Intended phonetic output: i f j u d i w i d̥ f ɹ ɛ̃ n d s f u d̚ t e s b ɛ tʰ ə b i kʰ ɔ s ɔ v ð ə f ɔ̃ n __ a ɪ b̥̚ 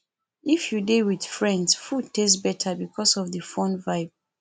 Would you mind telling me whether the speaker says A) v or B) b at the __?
A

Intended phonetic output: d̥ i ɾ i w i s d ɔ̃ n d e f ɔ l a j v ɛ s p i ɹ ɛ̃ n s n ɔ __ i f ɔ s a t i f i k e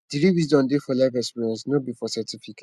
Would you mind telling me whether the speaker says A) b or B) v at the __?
A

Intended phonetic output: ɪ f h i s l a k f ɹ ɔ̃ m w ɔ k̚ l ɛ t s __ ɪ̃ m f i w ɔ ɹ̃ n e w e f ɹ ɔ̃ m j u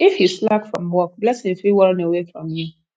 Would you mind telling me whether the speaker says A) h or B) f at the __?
A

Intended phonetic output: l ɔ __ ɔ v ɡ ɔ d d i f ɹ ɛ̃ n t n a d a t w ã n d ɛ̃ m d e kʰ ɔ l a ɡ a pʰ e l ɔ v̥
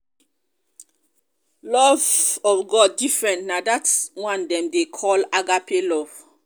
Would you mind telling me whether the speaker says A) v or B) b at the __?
A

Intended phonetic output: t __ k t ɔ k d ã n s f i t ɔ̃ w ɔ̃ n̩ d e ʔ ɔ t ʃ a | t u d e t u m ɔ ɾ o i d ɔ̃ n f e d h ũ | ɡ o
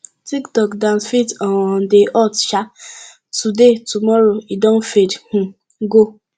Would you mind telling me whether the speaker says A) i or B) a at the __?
A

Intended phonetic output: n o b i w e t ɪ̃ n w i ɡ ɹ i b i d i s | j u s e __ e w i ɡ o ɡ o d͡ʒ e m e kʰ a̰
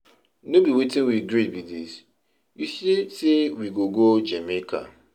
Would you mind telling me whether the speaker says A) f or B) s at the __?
B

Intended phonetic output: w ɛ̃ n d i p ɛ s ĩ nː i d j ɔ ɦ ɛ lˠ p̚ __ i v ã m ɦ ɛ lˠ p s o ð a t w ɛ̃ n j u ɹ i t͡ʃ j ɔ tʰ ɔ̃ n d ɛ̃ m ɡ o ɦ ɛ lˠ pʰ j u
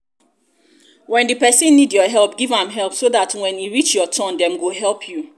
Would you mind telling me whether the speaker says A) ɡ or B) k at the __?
A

